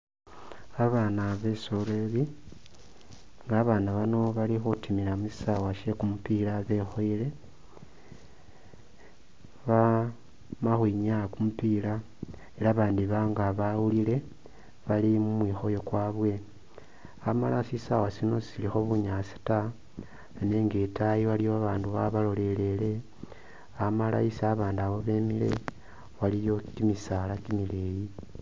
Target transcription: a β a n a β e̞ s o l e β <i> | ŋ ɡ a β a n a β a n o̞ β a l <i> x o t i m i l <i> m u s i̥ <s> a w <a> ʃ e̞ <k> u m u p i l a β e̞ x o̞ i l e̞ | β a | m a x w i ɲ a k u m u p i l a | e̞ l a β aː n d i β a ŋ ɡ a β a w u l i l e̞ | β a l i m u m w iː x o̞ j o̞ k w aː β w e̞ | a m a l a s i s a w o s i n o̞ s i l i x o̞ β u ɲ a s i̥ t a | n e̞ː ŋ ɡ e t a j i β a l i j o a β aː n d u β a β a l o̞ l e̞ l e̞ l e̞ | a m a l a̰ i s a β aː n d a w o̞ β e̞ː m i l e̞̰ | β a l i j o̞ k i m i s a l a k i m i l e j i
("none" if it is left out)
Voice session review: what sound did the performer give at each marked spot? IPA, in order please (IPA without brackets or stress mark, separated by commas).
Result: i, i, a, s, a, k